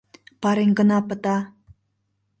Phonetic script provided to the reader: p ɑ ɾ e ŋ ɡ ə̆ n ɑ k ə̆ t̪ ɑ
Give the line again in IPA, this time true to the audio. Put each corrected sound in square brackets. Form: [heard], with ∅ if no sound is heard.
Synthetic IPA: p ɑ ɾ e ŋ ɡ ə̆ n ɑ [p] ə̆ t̪ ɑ